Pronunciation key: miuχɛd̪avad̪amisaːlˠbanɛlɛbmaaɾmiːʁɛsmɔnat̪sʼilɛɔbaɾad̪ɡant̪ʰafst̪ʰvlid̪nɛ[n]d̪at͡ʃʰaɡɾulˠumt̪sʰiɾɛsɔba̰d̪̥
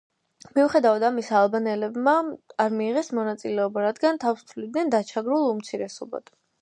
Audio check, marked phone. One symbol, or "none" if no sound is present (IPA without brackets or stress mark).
n